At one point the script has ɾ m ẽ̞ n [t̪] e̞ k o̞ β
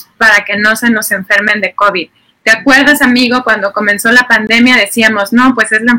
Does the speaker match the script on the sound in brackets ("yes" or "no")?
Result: no